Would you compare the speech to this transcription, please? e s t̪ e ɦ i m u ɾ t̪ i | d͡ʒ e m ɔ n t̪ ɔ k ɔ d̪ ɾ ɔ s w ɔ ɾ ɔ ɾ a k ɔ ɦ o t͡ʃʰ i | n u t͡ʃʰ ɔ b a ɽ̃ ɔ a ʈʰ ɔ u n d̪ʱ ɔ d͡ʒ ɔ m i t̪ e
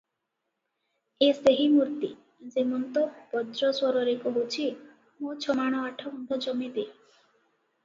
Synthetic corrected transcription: e s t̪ e ɦ i m u ɾ t̪ i | d͡ʒ e m ɔ n t̪ ɔ p ɔ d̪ ɾ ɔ s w ɔ ɾ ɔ ɾ e k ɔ ɦ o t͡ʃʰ i | m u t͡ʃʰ ɔ m a ɽ̃ ɔ a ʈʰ ɔ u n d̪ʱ ɔ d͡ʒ ɔ m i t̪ e

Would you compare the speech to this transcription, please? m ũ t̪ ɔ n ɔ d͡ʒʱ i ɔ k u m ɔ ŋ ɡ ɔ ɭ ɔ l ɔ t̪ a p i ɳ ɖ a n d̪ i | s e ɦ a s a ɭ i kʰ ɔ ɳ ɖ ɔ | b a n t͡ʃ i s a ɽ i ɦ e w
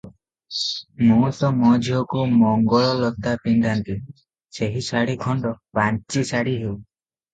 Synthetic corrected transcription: m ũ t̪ ɔ m ɔ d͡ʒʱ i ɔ k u m ɔ ŋ ɡ ɔ ɭ ɔ l ɔ t̪ a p i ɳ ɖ a n t̪ i | s e ɦ i s a ɽ i kʰ ɔ ɳ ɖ ɔ | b a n t͡ʃ i s a ɽ i ɦ e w

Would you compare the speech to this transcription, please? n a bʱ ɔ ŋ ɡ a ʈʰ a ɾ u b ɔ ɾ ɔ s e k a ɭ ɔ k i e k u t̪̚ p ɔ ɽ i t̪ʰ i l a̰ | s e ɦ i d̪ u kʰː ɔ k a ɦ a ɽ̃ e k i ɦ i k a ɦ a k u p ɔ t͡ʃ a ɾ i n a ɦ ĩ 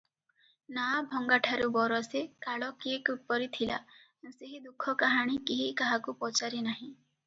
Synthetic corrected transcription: n a bʱ ɔ ŋ ɡ a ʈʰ a ɾ u b ɔ ɾ ɔ s e k a ɭ ɔ k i e k u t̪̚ p ɔ ɾ i t̪ʰ i l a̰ | s e ɦ i d̪ u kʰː ɔ k a ɦ a ɽ̃ i k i ɦ i k a ɦ a k u p ɔ t͡ʃ a ɾ i n a ɦ ĩ

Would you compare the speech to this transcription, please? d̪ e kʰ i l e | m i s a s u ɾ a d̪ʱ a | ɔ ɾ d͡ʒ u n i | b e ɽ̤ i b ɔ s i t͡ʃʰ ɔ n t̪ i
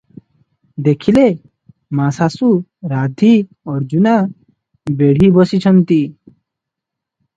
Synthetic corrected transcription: d̪ e kʰ i l e | m a s a s u ɾ a d̪ʱ i | ɔ ɾ d͡ʒ u n a | b e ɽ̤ i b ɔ s i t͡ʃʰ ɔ n t̪ i

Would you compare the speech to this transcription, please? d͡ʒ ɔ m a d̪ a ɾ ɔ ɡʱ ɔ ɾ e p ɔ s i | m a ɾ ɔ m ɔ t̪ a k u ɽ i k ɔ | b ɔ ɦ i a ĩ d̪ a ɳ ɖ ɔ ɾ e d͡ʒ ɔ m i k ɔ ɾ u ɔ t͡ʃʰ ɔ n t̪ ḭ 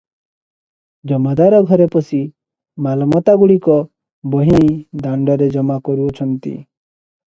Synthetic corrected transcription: d͡ʒ ɔ m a d̪ a ɾ ɔ ɡʱ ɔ ɾ e p ɔ s i | m a l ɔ m ɔ t̪ a ɡ u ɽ i k ɔ | b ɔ ɦ i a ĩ d̪ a ɳ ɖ ɔ ɾ e d͡ʒ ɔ m a k ɔ ɾ u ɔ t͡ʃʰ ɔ n t̪ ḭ

